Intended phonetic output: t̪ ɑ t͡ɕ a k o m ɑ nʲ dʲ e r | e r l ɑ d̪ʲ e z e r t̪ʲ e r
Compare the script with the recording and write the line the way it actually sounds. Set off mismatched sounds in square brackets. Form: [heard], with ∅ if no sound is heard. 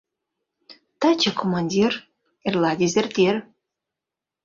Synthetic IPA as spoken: t̪ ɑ t͡ɕ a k o m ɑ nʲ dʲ [i] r | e r l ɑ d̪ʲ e z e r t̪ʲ e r